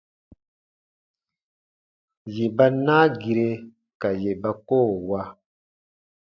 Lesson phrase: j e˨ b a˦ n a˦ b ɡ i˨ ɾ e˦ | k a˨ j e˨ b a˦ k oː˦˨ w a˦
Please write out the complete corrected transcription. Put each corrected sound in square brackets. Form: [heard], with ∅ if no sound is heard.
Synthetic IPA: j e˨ b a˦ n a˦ [∅] ɡ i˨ ɾ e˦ | k a˨ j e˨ b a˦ k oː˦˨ w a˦